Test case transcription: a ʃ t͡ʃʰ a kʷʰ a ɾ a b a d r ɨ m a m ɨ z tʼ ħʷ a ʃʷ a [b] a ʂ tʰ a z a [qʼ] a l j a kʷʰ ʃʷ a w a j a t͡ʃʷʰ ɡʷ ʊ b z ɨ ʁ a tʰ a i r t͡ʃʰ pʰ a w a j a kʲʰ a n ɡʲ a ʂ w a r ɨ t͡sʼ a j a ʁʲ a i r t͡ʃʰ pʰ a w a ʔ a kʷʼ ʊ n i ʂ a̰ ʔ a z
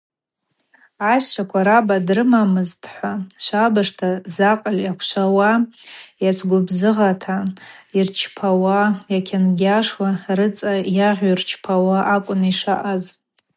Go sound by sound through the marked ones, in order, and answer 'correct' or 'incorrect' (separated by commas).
correct, correct